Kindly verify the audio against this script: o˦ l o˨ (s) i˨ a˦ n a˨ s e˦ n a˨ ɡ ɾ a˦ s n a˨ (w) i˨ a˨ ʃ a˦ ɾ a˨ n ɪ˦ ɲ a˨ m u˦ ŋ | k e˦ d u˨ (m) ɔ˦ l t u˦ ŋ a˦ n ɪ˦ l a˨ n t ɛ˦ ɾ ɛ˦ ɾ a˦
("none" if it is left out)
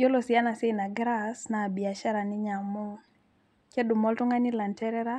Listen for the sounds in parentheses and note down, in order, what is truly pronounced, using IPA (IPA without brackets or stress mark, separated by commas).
s, b, m